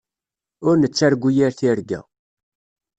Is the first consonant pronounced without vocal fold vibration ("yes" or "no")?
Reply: no